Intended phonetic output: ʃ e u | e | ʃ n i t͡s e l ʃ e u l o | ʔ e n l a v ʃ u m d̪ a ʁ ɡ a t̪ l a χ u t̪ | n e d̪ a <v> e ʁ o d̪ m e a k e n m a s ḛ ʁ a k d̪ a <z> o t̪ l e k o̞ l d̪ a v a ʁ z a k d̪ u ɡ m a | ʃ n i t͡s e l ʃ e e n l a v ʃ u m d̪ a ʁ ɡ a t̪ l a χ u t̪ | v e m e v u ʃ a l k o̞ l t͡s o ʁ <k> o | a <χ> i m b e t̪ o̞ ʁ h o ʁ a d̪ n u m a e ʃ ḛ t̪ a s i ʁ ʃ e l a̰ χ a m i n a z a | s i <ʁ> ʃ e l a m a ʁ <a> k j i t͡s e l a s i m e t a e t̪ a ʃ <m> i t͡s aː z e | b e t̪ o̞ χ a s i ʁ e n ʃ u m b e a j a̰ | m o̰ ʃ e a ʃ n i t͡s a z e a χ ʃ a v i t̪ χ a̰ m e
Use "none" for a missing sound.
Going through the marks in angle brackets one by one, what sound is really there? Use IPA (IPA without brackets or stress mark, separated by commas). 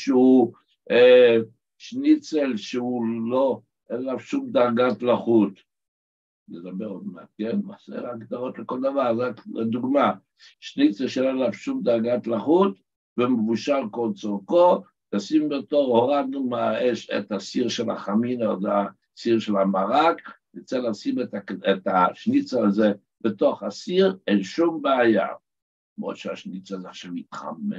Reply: b, ʁ, k, s, ʁ, a, n